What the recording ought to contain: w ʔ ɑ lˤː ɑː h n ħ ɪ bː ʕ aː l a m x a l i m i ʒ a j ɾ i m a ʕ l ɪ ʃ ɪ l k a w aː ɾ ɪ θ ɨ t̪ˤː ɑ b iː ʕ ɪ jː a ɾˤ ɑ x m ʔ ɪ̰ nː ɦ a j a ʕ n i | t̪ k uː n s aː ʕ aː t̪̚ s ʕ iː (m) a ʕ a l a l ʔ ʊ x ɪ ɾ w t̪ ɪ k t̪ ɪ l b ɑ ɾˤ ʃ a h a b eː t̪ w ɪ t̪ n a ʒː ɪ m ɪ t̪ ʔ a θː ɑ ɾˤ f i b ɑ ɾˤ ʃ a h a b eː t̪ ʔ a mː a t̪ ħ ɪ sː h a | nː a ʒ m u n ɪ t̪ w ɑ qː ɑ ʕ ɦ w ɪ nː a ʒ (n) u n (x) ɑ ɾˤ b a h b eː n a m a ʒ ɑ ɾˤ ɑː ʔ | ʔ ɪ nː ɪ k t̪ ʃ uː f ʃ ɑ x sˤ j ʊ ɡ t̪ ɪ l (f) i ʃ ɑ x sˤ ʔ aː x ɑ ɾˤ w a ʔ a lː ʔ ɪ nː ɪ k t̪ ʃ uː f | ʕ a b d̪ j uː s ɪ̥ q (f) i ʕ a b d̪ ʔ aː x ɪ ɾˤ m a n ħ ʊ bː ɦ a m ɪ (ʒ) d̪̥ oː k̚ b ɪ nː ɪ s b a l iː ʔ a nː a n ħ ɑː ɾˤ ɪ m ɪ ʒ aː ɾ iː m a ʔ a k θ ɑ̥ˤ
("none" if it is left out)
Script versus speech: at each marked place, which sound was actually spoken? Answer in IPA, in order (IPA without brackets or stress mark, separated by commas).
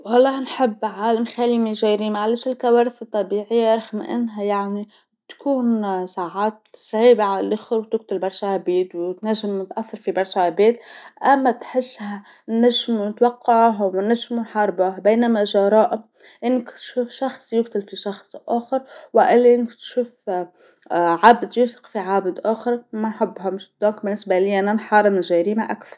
b, m, ħ, f, f, ʃ